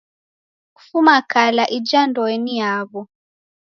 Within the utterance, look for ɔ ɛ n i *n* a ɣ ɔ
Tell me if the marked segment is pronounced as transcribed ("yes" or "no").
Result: no